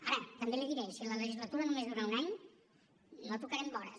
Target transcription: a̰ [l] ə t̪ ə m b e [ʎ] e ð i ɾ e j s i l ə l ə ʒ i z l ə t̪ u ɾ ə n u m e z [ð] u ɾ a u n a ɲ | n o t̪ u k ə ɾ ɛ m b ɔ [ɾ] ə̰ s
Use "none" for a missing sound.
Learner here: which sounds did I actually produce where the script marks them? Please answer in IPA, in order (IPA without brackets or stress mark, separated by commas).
ɾ, l, ð, ɾ